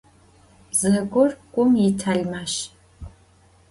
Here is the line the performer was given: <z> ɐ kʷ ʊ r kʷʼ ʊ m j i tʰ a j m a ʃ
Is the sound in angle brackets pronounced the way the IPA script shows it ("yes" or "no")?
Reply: yes